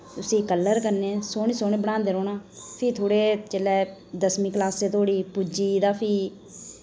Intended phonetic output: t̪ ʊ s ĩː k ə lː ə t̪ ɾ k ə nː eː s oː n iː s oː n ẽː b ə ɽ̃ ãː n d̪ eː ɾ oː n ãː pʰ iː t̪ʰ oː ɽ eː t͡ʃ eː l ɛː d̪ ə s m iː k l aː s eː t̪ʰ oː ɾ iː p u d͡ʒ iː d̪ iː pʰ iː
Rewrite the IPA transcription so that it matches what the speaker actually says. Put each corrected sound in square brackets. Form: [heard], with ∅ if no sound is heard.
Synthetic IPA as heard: t̪ ʊ s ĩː k ə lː ə [∅] ɾ k ə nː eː s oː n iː s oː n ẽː b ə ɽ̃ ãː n d̪ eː ɾ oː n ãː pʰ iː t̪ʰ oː ɽ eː t͡ʃ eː l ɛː d̪ ə s m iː k l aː s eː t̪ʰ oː [ɽ] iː p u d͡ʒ iː d̪ [aː] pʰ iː